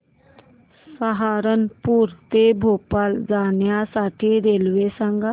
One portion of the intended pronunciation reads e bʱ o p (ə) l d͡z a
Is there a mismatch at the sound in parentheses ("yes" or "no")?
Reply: yes